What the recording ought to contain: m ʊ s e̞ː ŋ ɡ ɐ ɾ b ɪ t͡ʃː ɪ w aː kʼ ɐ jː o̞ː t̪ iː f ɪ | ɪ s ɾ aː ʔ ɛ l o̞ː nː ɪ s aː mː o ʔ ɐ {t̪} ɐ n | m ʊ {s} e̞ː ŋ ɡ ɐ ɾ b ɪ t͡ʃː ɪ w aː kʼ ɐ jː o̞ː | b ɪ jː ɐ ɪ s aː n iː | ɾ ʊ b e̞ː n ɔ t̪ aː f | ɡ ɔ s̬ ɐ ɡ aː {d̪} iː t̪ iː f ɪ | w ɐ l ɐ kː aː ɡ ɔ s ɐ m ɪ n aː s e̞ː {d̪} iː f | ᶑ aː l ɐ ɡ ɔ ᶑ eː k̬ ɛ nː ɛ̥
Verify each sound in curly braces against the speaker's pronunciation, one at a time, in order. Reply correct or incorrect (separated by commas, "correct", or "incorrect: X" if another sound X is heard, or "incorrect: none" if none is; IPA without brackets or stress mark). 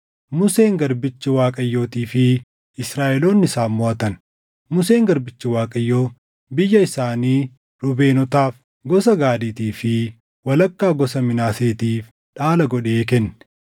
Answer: correct, correct, correct, incorrect: t̪